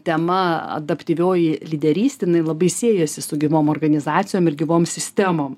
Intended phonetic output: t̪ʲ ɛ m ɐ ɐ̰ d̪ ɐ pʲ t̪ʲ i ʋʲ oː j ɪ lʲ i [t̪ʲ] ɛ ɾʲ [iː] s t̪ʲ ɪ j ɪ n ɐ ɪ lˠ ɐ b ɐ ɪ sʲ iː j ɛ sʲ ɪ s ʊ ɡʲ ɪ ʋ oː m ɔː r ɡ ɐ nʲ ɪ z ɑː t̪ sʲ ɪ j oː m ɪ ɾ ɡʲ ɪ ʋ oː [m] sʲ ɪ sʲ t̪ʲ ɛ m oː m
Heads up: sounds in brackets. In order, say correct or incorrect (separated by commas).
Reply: incorrect, correct, correct